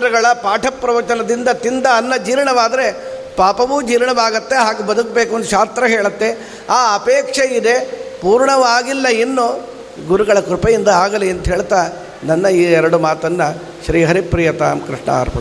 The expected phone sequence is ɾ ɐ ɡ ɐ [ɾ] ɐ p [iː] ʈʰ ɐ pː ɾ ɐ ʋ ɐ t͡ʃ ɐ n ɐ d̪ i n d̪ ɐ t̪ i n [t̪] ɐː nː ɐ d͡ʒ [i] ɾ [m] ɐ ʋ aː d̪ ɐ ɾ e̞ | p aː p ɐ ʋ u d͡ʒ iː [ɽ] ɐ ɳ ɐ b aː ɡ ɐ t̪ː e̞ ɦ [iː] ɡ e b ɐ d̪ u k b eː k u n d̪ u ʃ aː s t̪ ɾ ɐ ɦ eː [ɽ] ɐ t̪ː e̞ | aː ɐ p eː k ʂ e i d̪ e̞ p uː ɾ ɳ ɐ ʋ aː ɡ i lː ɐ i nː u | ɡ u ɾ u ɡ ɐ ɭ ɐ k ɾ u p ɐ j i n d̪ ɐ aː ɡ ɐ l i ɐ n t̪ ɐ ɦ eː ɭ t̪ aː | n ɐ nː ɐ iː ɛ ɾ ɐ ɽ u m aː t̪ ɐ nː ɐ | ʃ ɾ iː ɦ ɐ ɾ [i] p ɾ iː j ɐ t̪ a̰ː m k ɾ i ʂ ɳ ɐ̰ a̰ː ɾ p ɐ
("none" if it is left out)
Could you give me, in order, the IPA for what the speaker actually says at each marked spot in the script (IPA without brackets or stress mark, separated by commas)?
ɭ, aː, d̪, iː, ɳ, ɾ, aː, ɭ, i